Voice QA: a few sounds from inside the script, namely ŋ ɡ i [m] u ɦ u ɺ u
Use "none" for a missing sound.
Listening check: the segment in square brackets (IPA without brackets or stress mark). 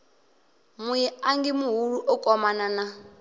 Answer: m